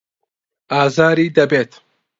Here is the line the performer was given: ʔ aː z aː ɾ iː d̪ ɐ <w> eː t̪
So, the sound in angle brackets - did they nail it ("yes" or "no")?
no